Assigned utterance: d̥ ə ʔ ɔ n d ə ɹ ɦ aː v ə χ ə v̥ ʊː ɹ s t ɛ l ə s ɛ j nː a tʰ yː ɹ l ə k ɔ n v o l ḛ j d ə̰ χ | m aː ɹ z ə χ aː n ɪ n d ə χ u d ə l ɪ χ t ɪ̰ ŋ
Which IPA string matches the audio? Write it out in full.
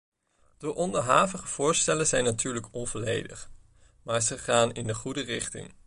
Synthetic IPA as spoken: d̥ ə ʔ ɔ n d ə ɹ ɦ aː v ə χ ə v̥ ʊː ɹ s t ɛ l ə z ɛ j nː a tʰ yː ɹ l ə k ɔ n v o l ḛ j d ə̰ χ | m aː ɹ z ə χ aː n ɪ n d ə χ u d ə r ɪ χ t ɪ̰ ŋ